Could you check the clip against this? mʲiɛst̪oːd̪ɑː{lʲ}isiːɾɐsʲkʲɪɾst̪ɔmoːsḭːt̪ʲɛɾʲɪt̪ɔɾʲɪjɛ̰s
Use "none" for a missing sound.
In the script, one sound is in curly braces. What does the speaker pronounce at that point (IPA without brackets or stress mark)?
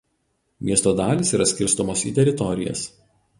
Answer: lʲ